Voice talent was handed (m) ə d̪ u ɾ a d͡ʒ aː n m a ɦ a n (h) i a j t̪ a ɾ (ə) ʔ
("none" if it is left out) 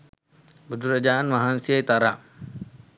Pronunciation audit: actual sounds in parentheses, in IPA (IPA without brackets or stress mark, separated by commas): b, s, a